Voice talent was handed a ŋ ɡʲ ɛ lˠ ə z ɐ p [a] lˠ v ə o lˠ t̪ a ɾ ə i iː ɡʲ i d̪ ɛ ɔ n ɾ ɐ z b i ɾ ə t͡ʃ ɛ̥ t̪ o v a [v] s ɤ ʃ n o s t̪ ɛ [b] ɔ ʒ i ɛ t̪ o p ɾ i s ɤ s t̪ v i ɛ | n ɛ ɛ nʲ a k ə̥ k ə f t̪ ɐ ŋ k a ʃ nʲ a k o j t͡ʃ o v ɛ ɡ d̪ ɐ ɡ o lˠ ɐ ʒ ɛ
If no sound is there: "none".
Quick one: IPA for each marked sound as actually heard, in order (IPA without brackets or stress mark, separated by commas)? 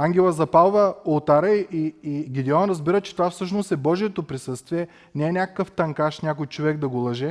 a, f, b